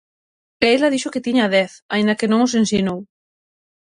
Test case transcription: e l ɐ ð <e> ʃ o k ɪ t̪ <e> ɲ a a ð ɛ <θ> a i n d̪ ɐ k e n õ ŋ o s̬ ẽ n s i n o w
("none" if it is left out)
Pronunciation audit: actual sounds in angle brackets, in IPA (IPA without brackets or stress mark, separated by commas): i, i, θ